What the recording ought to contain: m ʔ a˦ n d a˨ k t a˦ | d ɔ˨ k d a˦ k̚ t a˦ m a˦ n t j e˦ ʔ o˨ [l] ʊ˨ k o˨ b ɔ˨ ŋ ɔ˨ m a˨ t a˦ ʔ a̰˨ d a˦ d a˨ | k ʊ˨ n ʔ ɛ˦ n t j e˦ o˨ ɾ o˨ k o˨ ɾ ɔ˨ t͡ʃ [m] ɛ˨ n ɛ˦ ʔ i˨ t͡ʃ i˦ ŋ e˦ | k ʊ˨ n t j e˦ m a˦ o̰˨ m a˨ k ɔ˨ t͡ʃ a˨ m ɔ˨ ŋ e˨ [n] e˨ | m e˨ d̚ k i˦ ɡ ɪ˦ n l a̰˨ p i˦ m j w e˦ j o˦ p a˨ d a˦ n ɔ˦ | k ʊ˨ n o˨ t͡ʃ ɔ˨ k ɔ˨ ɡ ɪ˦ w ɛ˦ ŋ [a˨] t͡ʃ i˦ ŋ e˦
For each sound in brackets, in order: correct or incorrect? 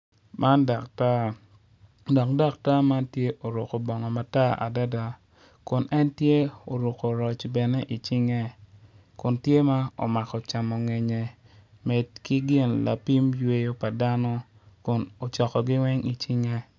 incorrect: ɾ, incorrect: b, incorrect: ɲ, incorrect: i˨

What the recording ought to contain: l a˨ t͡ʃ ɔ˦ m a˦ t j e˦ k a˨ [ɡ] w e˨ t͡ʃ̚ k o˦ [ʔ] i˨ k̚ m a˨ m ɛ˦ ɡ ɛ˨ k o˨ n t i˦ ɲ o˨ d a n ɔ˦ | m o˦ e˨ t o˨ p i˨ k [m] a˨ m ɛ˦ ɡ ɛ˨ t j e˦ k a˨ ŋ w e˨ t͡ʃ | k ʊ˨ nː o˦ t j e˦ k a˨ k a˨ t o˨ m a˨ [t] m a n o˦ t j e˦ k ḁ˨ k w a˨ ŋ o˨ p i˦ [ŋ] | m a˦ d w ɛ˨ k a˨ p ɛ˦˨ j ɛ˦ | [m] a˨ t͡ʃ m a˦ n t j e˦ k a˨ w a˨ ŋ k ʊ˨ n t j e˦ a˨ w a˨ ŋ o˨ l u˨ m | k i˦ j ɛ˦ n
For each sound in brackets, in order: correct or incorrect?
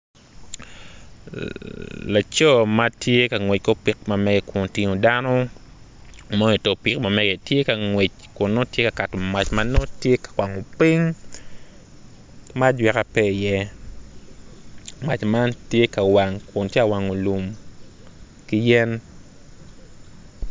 incorrect: ŋ, incorrect: p, correct, incorrect: t͡ʃ, correct, correct

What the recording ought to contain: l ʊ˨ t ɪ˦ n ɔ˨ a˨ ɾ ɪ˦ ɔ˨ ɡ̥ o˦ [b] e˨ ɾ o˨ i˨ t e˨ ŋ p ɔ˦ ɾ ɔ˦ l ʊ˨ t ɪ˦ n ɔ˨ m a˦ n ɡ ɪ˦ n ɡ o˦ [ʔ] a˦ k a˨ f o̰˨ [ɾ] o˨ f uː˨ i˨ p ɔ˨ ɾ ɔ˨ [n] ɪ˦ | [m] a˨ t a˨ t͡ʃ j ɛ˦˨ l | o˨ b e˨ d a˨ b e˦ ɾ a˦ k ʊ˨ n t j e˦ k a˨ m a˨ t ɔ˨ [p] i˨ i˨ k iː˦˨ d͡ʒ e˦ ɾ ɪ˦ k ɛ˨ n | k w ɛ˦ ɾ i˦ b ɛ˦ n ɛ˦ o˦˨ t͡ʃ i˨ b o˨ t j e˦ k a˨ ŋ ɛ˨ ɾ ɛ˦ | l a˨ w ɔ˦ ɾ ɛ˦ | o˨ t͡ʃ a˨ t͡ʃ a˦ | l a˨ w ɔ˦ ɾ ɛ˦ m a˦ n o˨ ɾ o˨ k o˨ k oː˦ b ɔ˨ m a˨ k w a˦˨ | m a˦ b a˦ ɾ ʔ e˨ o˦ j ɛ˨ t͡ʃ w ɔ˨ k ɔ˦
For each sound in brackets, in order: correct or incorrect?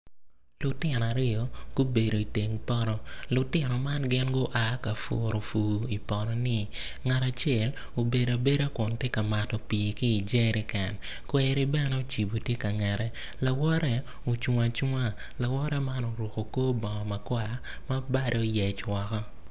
correct, correct, correct, correct, incorrect: ŋ, correct

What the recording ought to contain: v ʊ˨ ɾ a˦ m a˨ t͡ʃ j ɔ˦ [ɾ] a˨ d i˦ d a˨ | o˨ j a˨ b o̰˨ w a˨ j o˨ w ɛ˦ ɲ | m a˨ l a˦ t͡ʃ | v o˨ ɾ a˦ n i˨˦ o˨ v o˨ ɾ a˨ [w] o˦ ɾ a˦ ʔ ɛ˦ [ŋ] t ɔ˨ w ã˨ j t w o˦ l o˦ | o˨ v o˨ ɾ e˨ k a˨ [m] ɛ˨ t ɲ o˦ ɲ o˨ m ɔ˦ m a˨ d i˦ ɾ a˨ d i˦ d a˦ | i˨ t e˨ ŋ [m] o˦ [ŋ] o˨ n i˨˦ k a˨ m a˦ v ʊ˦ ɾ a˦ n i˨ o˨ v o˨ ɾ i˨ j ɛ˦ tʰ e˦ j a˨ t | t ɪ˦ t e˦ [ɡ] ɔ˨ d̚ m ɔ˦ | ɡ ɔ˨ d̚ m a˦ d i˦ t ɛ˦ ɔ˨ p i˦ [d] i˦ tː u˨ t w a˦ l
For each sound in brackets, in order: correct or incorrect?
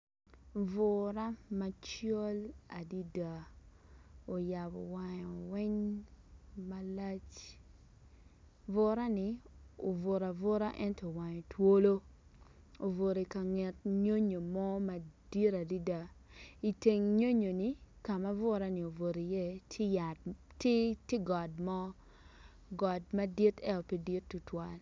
incorrect: l, incorrect: v, incorrect: n, incorrect: ŋ, incorrect: ɲ, incorrect: ɲ, correct, correct

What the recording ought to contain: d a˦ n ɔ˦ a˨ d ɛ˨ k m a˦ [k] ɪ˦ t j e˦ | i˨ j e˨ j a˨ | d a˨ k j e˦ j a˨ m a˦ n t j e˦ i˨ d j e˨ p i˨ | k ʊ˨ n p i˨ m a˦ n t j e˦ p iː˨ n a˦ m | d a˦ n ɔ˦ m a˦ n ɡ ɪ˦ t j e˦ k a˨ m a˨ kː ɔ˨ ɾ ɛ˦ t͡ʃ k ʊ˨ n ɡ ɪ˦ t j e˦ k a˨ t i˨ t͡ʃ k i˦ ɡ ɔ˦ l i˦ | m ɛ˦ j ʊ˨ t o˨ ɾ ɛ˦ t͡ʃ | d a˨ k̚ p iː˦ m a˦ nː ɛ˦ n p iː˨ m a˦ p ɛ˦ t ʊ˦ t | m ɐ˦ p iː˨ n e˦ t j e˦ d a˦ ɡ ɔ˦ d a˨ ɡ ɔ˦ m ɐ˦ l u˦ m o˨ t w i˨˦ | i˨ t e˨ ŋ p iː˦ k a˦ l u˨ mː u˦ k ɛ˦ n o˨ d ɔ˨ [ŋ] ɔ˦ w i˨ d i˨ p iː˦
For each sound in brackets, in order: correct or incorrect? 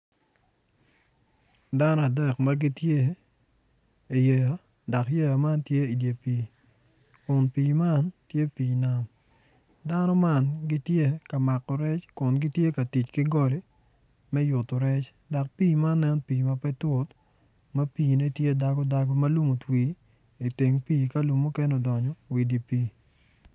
incorrect: ɡ, incorrect: ɲ

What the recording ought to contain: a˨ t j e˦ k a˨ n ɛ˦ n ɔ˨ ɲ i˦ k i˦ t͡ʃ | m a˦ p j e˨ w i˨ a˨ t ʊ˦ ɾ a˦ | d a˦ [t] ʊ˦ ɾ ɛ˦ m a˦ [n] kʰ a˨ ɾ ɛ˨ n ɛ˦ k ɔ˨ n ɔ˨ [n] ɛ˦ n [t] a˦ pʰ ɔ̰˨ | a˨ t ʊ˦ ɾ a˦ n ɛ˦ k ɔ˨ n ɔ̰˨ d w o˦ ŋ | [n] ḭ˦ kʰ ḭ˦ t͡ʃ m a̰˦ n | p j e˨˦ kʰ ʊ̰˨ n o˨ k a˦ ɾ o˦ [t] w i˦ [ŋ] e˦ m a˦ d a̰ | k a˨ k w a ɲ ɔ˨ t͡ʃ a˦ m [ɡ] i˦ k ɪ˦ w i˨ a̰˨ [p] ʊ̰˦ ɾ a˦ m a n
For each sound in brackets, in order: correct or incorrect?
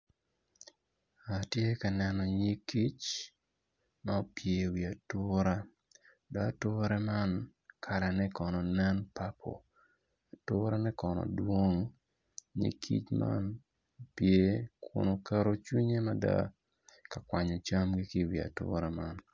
correct, correct, correct, incorrect: p, incorrect: ɲ, incorrect: t͡ʃ, incorrect: ɲ, correct, incorrect: t

